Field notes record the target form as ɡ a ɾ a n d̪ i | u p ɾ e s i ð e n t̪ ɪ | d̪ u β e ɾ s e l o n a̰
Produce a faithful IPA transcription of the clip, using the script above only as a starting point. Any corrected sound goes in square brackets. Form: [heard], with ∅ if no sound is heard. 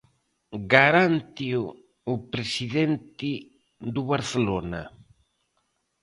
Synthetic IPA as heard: ɡ a ɾ a n [t̪] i | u p ɾ e s i ð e n t̪ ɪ | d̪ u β [a] ɾ [θ] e l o n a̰